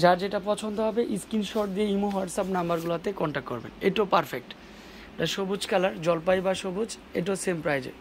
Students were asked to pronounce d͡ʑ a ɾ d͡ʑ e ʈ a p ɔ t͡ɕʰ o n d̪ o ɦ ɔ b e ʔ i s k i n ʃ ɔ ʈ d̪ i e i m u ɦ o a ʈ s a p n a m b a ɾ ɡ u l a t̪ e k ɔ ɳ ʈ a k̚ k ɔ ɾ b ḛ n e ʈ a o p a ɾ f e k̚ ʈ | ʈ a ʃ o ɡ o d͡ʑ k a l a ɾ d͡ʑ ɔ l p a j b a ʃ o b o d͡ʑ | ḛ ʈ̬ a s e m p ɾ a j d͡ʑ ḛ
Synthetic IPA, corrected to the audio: d͡ʑ a ɾ d͡ʑ e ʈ a p ɔ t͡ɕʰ o n d̪ o ɦ ɔ b e ʔ i s k i n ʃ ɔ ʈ d̪ i e i m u ɦ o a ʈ s a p n a m b a ɾ ɡ u l a t̪ e k ɔ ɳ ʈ a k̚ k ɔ ɾ b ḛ n e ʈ a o p a ɾ f e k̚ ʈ | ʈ a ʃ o b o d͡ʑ k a l a ɾ d͡ʑ ɔ l p a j b a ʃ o b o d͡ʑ | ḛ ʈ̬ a s e m p ɾ a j d͡ʑ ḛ